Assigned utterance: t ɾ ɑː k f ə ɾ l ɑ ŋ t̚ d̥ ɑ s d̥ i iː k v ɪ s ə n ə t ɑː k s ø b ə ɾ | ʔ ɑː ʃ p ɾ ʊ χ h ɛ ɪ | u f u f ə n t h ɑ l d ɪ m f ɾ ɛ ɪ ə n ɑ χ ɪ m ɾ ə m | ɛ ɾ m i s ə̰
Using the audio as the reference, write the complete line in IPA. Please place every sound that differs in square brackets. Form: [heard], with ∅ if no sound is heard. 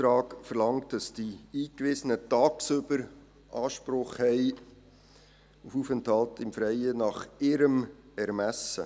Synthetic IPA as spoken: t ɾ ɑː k f ə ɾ l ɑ ŋ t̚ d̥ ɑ s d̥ i iː k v ɪ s ə n ə t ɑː k s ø b ə ɾ | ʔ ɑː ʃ p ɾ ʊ χ h ɛ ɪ | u f u f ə n t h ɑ l [t] ɪ m f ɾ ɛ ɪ ə n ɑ χ ɪ [∅] ɾ ə m | ɛ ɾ m [æ] s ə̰